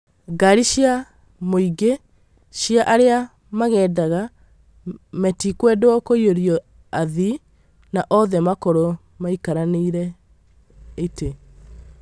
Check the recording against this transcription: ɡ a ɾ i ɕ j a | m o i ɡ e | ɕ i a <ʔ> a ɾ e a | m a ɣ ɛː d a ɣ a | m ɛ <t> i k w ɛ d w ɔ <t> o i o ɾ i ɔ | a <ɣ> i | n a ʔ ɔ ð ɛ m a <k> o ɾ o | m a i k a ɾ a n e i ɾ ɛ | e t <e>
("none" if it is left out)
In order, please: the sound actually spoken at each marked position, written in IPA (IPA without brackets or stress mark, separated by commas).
ʔ, t, k, ð, k, e